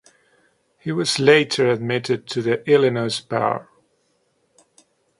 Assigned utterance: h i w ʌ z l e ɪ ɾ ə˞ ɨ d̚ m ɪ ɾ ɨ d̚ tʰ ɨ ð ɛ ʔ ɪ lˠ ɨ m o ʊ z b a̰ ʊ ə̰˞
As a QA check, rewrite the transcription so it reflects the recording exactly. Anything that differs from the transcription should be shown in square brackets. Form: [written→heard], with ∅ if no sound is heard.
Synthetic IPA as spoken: h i w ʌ z l e ɪ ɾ ə˞ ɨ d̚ m ɪ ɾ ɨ d̚ tʰ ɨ ð [ɛ→i] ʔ ɪ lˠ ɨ [m→n] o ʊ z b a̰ ʊ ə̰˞